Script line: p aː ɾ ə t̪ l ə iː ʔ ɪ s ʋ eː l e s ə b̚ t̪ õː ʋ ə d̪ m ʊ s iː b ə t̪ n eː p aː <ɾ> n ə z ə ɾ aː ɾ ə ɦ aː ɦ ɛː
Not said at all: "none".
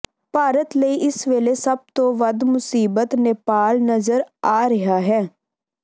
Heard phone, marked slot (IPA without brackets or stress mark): l